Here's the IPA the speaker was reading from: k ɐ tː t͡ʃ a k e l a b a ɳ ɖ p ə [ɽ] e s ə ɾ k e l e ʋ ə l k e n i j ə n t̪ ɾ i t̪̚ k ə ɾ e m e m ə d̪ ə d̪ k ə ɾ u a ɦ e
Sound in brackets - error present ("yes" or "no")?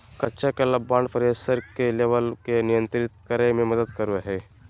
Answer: yes